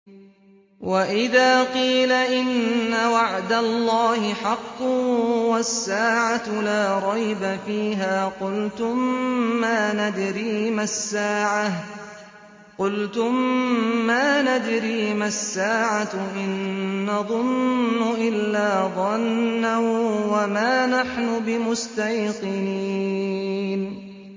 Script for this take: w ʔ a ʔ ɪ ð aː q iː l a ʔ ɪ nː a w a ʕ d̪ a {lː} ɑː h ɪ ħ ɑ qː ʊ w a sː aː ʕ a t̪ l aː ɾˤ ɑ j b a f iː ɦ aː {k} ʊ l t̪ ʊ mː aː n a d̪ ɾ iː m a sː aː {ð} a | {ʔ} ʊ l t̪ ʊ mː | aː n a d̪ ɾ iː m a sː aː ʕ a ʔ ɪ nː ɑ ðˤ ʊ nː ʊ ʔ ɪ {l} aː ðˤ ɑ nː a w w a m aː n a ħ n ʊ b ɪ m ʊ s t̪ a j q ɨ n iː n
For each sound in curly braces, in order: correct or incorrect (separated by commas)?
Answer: correct, incorrect, incorrect, incorrect, incorrect